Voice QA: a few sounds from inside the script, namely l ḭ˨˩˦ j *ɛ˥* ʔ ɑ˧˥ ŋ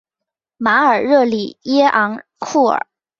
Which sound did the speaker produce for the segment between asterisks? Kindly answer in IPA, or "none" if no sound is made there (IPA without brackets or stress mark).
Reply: ɛ˥